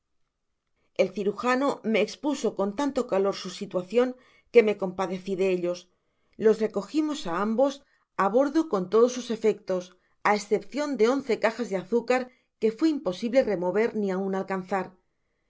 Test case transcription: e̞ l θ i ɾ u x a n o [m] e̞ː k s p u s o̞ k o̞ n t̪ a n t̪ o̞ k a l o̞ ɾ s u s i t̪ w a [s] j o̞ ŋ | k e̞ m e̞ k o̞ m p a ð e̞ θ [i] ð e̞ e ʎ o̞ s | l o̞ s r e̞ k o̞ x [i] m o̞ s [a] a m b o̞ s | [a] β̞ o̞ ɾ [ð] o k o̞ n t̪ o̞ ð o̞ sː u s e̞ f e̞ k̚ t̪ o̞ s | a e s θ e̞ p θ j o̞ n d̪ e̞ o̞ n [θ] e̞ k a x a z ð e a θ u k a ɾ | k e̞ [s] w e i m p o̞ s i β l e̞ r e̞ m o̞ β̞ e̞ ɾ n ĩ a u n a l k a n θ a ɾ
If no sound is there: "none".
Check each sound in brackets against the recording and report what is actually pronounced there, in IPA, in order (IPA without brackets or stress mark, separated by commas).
m, θ, i, i, a, a, ð, θ, f